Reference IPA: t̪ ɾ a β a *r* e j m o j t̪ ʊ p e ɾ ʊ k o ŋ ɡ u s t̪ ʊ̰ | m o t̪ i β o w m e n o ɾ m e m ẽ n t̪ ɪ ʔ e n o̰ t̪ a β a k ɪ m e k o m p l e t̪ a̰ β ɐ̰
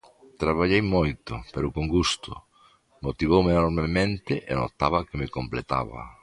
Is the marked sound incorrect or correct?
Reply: incorrect